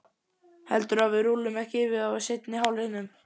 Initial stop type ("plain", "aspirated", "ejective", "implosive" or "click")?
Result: plain